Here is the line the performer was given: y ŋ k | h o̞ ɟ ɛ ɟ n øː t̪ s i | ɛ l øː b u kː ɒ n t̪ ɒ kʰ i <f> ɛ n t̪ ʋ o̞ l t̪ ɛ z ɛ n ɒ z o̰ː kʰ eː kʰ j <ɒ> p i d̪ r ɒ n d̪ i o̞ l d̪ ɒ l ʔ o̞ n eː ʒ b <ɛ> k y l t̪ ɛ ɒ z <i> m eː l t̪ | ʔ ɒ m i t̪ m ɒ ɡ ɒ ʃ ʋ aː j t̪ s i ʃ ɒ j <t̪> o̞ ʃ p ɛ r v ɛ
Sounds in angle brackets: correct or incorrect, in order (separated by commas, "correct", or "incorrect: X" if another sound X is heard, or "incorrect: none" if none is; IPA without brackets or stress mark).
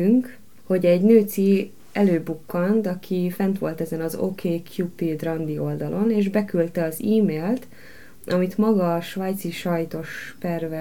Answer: correct, incorrect: u, correct, incorrect: iː, correct